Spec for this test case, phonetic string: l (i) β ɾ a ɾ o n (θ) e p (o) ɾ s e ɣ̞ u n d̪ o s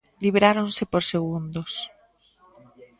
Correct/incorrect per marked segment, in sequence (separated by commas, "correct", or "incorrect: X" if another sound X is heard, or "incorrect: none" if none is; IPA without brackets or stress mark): correct, incorrect: s, correct